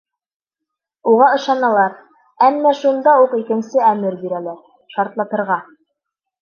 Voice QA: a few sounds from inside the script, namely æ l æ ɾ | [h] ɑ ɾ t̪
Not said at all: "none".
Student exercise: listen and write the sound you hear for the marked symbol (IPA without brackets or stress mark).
ʃ